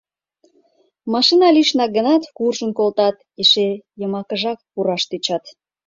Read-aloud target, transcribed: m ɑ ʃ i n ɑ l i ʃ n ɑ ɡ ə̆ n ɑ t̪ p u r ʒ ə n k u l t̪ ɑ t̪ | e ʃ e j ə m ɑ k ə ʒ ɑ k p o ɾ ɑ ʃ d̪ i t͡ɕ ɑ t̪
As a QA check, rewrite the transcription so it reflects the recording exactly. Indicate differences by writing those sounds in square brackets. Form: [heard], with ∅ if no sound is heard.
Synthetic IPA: m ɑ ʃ i n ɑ l i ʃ n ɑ ɡ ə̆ n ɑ t̪ [k] u r ʒ ə n k [o] l t̪ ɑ t̪ | e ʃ e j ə m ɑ k ə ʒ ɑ k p [u] ɾ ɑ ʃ [t̪] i t͡ɕ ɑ t̪